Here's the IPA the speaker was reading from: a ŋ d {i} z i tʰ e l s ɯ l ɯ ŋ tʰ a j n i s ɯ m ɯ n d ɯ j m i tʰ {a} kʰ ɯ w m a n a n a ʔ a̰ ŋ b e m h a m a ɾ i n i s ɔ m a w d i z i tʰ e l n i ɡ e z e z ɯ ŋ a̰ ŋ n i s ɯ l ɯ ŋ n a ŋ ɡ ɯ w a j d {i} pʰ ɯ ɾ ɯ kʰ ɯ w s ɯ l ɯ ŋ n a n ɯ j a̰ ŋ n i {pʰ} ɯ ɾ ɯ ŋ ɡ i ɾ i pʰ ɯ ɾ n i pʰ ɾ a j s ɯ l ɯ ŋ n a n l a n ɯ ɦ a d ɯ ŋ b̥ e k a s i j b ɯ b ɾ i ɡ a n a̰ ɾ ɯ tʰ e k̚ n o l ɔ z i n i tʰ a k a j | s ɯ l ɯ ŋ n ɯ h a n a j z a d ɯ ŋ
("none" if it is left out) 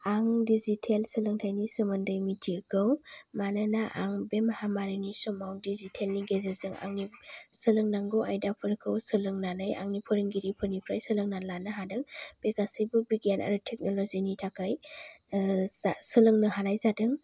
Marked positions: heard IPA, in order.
i, i, a, pʰ

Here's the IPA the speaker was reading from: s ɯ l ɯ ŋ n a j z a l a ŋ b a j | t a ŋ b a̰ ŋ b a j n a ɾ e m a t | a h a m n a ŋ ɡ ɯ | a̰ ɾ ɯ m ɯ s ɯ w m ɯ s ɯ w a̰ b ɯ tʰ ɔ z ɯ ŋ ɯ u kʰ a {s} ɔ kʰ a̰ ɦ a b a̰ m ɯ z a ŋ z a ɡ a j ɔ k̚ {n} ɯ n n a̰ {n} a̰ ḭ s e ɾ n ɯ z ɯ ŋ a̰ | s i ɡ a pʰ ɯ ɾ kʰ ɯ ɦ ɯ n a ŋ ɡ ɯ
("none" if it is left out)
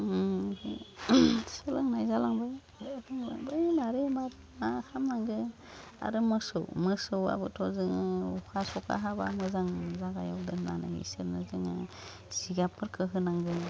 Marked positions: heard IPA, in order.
s, d, n

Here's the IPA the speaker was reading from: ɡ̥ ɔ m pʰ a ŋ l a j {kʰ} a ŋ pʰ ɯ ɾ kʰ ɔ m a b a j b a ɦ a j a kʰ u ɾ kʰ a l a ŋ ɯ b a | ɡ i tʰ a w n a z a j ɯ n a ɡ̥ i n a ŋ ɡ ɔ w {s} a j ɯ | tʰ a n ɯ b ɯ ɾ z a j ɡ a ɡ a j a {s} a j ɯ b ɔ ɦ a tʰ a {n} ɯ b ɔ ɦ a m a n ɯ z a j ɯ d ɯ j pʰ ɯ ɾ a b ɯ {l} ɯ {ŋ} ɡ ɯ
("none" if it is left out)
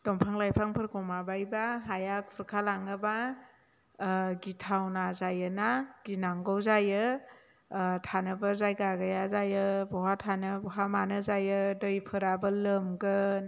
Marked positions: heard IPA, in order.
pʰ, z, z, n, l, m

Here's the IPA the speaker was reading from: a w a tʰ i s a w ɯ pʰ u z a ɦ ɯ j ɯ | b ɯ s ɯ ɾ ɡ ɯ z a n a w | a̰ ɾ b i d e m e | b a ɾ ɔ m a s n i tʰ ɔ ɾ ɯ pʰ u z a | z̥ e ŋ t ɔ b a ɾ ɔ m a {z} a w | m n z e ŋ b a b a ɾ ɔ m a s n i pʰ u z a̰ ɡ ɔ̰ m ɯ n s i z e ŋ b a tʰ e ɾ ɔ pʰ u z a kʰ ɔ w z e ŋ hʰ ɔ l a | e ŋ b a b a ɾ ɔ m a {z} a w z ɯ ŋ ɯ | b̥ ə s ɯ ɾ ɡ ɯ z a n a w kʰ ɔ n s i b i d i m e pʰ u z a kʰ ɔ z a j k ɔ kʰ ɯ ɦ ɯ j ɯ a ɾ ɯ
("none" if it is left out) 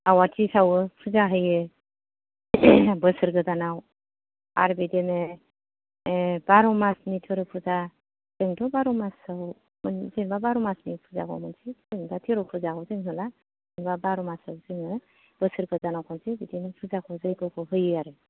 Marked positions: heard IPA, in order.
s, s

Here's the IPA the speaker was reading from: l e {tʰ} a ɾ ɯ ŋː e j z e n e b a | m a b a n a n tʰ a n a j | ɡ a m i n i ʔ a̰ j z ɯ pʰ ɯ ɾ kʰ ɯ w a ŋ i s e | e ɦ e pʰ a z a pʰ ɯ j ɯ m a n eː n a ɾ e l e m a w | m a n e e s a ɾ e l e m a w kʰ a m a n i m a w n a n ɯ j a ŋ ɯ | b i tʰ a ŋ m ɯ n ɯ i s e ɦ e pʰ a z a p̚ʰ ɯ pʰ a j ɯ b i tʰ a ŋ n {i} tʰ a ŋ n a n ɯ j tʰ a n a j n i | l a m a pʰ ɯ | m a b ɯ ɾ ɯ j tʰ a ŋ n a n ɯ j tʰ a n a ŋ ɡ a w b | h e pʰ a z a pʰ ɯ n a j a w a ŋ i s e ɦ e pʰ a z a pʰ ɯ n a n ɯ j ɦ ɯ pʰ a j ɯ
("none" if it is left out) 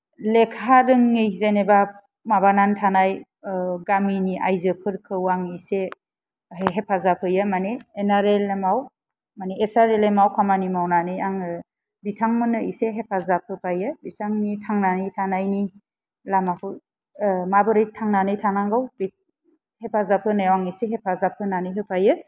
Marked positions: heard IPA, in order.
kʰ, i

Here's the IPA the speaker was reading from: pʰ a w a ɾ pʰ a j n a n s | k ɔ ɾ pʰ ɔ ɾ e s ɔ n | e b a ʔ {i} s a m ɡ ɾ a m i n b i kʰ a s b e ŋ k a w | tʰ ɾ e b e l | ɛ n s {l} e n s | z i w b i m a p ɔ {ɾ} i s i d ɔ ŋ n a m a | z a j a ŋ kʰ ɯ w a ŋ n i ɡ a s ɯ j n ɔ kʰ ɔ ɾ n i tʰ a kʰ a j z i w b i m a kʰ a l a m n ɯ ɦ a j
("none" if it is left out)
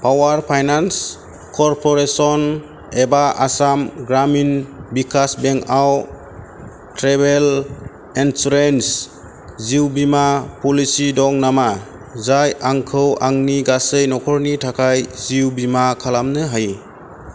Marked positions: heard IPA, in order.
a, ɾ, l

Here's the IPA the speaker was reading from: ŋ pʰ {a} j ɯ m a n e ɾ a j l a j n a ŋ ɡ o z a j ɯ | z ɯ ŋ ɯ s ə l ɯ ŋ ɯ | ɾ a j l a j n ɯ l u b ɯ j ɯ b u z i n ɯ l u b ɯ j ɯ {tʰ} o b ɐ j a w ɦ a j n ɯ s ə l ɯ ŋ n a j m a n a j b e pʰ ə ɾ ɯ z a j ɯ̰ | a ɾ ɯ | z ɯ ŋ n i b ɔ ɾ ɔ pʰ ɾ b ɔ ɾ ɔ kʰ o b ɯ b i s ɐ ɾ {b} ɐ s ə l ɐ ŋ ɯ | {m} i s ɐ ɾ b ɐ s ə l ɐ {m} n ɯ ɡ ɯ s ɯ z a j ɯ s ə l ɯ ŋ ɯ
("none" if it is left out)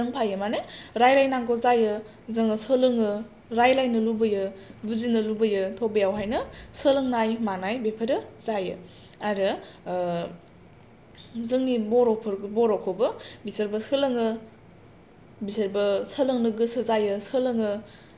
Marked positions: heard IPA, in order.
a, tʰ, b, b, ŋ

